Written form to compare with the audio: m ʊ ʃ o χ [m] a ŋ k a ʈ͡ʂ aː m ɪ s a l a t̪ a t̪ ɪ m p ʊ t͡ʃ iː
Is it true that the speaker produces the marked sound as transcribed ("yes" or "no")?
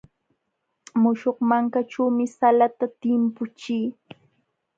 yes